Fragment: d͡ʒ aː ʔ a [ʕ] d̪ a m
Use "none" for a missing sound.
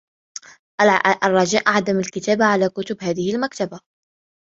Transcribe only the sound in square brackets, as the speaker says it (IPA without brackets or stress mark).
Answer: ʕ